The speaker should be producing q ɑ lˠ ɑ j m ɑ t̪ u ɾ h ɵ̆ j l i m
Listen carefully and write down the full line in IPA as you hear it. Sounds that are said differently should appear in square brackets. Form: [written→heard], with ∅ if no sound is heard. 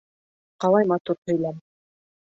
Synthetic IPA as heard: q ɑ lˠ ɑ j m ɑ t̪ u ɾ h ɵ̆ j l [i→æ] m

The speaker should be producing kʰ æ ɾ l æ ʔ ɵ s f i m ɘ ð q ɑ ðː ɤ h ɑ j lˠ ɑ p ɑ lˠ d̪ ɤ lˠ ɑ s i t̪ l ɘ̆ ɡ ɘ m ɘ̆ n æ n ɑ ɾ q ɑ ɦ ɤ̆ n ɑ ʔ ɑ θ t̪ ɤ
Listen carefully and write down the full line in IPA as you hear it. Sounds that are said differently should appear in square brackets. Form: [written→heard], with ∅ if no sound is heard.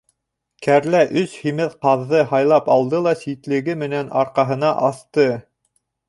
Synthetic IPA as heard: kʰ æ ɾ l æ ʔ ɵ s [f→h] i m ɘ ð q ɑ ðː ɤ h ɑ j lˠ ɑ p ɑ lˠ d̪ ɤ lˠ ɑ s i t̪ l ɘ̆ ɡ ɘ m ɘ̆ n æ n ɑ ɾ q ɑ ɦ ɤ̆ n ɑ ʔ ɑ θ t̪ ɤ

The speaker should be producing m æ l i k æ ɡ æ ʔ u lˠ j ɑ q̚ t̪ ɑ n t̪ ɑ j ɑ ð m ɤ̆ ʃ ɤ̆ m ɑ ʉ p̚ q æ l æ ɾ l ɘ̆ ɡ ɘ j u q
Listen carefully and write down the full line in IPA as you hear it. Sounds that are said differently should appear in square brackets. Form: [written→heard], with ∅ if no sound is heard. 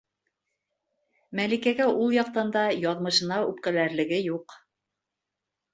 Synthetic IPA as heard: m æ l i k æ ɡ æ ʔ u lˠ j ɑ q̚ t̪ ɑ n [t̪→d̪] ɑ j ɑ ð m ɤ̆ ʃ ɤ̆ [m→n] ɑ ʉ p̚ [q→k] æ l æ ɾ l ɘ̆ ɡ ɘ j u q

